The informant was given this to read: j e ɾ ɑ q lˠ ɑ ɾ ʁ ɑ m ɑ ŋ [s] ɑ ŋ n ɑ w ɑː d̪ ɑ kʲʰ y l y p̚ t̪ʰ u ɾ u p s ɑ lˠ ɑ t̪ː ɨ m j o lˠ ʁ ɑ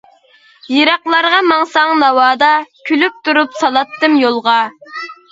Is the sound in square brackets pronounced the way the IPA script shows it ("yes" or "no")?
yes